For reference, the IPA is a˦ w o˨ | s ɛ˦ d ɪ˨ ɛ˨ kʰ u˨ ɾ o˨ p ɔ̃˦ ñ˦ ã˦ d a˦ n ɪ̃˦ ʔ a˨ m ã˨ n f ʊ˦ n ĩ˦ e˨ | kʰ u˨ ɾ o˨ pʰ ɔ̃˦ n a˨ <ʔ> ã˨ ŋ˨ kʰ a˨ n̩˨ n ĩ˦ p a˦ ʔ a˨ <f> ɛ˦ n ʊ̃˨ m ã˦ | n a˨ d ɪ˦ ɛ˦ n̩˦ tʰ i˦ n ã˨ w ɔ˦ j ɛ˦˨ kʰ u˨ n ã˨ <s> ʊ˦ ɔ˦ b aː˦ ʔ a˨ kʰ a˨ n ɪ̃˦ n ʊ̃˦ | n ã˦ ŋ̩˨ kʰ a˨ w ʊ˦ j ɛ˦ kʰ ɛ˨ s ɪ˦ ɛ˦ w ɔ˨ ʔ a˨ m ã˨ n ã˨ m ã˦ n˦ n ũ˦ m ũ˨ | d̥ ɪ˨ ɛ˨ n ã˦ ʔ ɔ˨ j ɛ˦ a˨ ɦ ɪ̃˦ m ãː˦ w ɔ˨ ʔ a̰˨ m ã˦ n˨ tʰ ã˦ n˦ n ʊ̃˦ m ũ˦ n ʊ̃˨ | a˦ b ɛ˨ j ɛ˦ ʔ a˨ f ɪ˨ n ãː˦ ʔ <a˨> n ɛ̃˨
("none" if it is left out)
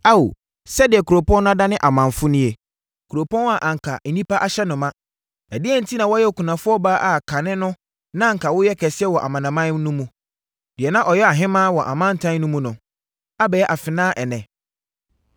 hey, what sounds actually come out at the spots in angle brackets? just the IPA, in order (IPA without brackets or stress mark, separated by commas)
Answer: ʔ, ɕ, f, ɛ˨